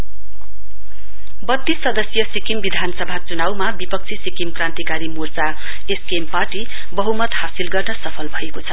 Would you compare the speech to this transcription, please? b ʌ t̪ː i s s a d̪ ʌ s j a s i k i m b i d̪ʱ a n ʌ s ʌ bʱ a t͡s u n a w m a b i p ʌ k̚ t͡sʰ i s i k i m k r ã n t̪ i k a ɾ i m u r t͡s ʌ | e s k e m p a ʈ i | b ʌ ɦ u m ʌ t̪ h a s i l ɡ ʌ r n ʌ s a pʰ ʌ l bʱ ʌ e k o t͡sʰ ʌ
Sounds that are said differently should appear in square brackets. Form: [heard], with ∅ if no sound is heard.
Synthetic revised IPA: b ʌ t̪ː i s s [ʌ] d̪ ʌ s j [ʌ] s i k i m b i d̪ʱ a n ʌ s ʌ bʱ a t͡s u n a w m a b i p ʌ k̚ t͡sʰ i s i k i m k r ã n t̪ i k a ɾ i m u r t͡s [a] | e s k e m p a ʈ i | b ʌ ɦ u m ʌ t̪ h a s i l ɡ ʌ r n ʌ s [ʌ] pʰ ʌ l bʱ ʌ e k o t͡sʰ ʌ

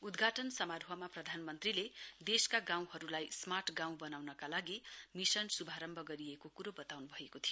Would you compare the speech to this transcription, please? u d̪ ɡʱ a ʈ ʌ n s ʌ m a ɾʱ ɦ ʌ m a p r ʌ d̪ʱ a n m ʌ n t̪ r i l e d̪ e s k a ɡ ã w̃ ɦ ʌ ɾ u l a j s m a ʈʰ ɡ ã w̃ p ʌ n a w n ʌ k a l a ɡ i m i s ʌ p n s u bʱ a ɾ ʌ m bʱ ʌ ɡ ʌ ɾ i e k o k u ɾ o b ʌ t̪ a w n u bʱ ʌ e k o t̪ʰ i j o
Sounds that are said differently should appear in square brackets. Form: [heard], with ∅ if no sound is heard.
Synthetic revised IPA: u d̪ ɡʱ a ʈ ʌ n s ʌ m a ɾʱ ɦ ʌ m a p r ʌ d̪ʱ a n m ʌ n t̪ r i l e d̪ e s k a ɡ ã w̃ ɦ ʌ ɾ u l a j s m a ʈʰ ɡ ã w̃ [b] ʌ n a w n ʌ k a l a ɡ i m i s ʌ [∅] n s u bʱ a ɾ ʌ m bʱ ʌ ɡ ʌ ɾ i e k o k u ɾ o b ʌ t̪ a w n u bʱ ʌ e k o t̪ʰ i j o

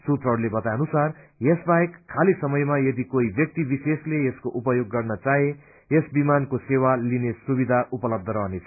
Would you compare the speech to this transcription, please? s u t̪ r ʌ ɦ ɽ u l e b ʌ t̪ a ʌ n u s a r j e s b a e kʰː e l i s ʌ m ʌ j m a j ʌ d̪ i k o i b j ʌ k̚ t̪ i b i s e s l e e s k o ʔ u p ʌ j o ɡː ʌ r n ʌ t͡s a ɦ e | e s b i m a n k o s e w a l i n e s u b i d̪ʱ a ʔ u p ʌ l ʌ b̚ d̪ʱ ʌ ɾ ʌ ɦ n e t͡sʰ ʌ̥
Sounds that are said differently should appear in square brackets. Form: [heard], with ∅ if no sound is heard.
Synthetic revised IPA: s u t̪ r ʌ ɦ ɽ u l e b ʌ t̪ a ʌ n u s a r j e s b a e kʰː [a] l i s ʌ m ʌ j m a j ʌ d̪ i k o i b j ʌ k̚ t̪ i b i s e s l e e s k o ʔ u p ʌ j o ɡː ʌ r n ʌ t͡s a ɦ e | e s b i m a n k o s e w a l i n e s u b i d̪ʱ a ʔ u p ʌ l ʌ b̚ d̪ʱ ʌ ɾ ʌ ɦ n e t͡sʰ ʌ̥

